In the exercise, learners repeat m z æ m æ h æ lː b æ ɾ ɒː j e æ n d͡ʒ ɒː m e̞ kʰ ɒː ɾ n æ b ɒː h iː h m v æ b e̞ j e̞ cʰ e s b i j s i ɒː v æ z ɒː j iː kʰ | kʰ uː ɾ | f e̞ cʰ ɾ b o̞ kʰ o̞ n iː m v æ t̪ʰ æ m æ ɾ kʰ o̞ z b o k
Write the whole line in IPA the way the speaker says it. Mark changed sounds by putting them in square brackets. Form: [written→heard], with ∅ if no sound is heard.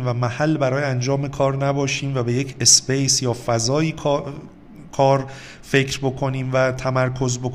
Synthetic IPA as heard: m [z→v] æ m æ h æ lː b æ ɾ ɒː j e æ n d͡ʒ ɒː m e̞ kʰ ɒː ɾ n æ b ɒː [h→ʃ] iː [h→∅] m v æ b e̞ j e̞ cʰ e s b [i→e] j s [i→j] ɒː [v→f] æ z ɒː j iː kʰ | kʰ [uː→ɒː] ɾ | f e̞ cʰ ɾ b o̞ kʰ o̞ n iː m v æ t̪ʰ æ m æ ɾ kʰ o̞ z b o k